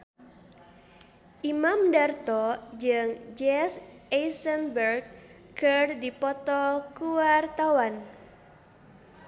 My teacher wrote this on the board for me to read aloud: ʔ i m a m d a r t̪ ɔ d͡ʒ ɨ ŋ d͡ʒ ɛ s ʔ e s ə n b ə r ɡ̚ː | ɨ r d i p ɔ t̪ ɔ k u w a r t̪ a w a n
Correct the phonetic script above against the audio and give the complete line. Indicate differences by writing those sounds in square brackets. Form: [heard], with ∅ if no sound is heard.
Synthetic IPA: ʔ i m a m d a r t̪ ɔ d͡ʒ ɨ ŋ d͡ʒ ɛ s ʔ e s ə n b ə r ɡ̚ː | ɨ r d i p ɔ t̪ ɔ k u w a r t̪ a w a n